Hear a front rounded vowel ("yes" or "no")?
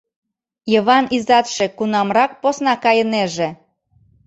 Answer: no